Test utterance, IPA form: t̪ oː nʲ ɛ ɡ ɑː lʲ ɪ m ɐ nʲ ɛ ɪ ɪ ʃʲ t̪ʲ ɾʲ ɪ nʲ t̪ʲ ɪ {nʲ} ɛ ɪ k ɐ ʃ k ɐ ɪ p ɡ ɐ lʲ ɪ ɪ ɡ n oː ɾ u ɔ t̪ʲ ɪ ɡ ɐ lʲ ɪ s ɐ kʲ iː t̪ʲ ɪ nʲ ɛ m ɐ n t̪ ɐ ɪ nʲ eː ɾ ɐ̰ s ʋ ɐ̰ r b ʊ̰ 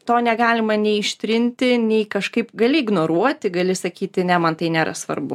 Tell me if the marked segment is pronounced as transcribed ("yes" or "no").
yes